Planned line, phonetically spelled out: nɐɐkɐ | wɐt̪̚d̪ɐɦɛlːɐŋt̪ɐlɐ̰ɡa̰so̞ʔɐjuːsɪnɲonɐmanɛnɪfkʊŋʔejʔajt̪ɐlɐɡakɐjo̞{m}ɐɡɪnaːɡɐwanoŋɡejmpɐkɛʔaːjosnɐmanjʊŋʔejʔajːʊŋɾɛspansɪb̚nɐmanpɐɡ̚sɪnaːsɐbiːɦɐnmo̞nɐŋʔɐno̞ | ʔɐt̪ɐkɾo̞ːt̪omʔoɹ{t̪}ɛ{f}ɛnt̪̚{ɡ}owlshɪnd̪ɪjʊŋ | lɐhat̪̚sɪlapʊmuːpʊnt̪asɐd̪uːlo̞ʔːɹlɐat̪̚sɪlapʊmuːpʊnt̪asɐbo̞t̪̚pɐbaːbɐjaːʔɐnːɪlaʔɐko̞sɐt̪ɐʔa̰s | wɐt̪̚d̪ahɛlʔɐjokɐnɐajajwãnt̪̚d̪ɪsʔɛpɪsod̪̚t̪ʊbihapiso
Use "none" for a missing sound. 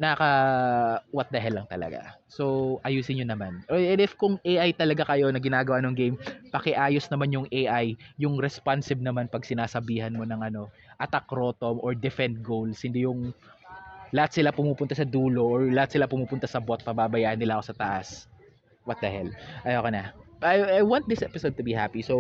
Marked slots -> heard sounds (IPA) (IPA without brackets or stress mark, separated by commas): n, d̪, f, ɡ